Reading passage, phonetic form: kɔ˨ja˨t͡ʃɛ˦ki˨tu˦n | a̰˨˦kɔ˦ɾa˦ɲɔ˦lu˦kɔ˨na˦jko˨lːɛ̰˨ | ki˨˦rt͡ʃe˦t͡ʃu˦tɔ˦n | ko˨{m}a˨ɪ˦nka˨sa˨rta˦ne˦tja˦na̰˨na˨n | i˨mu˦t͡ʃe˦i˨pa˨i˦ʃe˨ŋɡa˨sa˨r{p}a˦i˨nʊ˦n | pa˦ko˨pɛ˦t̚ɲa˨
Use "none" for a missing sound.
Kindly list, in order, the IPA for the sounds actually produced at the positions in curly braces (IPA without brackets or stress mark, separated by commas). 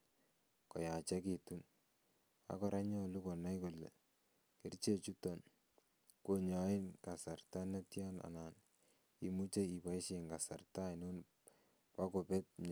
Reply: ɲ, t